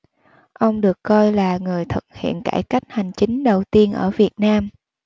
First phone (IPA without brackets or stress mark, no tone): ʔ